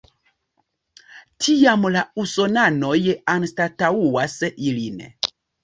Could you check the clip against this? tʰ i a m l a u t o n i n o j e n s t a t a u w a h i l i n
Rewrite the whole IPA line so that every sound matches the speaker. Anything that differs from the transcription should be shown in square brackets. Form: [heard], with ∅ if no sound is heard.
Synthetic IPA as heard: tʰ i a m l a u [s] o n [a] n o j [a] n s t a t a u w a [s] i l i n

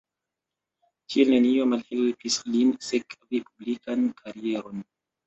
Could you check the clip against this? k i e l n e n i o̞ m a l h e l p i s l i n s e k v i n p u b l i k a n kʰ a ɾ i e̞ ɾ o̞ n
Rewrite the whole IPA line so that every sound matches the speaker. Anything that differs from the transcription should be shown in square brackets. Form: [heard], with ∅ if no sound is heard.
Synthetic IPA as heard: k i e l n e n i o̞ m a l h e l p i s l i n s e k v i [∅] p u b l i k a n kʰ a ɾ i e̞ ɾ o̞ n

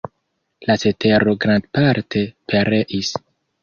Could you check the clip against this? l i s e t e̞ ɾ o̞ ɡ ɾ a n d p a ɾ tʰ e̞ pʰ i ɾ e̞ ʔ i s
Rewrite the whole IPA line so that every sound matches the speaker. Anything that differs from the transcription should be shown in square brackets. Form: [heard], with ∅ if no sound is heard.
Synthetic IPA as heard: l [a] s e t e̞ ɾ o̞ ɡ ɾ a n d p a ɾ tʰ e̞ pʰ [e] ɾ e̞ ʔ i s

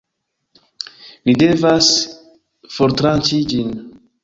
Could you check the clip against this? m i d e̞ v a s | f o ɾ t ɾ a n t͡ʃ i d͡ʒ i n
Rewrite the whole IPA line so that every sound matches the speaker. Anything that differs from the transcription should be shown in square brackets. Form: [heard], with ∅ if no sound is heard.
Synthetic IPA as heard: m i d e̞ v a s | f o ɾ t ɾ a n t͡ʃ i d͡ʒ i n

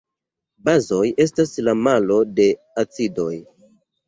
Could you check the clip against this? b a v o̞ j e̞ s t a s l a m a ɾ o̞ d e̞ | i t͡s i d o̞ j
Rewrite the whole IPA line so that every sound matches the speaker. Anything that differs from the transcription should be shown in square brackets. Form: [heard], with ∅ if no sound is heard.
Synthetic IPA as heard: b a [z] o̞ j e̞ s t a s l a m a [l] o̞ d e̞ | [a] t͡s i d o̞ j

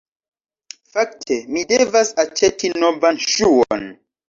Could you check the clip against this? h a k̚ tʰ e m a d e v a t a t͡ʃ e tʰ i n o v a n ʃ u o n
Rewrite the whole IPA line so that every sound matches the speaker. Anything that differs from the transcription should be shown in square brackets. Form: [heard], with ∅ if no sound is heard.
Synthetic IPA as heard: [f] a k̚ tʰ e m [i] d e v a [s] a t͡ʃ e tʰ i n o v a n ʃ u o n

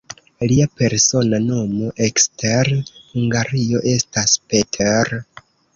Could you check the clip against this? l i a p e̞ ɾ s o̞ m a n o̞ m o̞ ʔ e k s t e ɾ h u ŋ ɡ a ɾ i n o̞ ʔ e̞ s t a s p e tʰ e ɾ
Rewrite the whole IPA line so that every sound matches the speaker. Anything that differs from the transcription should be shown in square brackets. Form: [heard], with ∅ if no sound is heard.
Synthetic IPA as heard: l i a p e̞ ɾ s o̞ [n] a n o̞ m o̞ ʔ e k s t e ɾ h u ŋ ɡ a ɾ i [∅] o̞ ʔ e̞ s t a s p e tʰ e ɾ

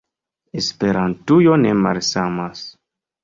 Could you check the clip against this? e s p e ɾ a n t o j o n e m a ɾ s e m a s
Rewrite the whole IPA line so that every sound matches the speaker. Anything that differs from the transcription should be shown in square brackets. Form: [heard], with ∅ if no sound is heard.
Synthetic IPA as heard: e s p e ɾ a n t [u] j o n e m a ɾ s [a] m a s

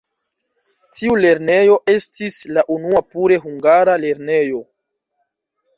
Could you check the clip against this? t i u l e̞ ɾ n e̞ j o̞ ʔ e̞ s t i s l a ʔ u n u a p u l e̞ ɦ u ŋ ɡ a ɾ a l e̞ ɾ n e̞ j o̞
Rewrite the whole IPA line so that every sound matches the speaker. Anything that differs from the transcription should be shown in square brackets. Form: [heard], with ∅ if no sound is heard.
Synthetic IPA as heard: t i u l e̞ ɾ n e̞ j o̞ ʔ e̞ s t i s l a ʔ u n u a p u [ɾ] e̞ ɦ u ŋ ɡ a ɾ a l e̞ ɾ n e̞ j o̞

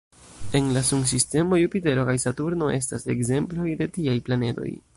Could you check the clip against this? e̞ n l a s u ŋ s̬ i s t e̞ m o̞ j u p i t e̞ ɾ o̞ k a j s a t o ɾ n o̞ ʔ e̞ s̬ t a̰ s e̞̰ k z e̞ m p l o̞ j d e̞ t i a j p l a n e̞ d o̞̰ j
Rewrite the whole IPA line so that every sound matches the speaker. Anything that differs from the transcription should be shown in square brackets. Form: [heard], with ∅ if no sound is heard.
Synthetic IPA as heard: e̞ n l a s u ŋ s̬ i s t e̞ m o̞ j u p i t e̞ ɾ o̞ k a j s a t [u] ɾ n o̞ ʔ e̞ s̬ t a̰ s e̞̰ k z e̞ m p l o̞ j d e̞ t i a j p l a n e̞ d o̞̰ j

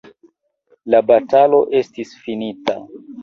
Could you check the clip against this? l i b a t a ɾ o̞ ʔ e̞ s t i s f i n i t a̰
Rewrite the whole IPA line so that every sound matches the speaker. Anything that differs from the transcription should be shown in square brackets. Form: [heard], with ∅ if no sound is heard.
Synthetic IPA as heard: l [a] b a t a [l] o̞ ʔ e̞ s t i s f i n i t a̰

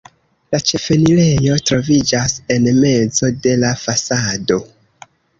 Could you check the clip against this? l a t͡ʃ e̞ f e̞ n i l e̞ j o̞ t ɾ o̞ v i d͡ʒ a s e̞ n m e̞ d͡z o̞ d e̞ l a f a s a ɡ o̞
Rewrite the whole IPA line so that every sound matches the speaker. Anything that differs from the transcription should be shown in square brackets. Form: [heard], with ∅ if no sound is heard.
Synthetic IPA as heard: l a t͡ʃ e̞ f e̞ n i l e̞ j o̞ t ɾ o̞ v i d͡ʒ a s e̞ n m e̞ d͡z o̞ d e̞ l a f a s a [d] o̞

